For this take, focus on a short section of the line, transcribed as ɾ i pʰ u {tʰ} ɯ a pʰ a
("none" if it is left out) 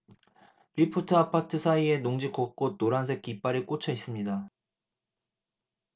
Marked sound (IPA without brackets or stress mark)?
tʰ